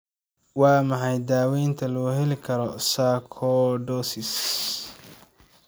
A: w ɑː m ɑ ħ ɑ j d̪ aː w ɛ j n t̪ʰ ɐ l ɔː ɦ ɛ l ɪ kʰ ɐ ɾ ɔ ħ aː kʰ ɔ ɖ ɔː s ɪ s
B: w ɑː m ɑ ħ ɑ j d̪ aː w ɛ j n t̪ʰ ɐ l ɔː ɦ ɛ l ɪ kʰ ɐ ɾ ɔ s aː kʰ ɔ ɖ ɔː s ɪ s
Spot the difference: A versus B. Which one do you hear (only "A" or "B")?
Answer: B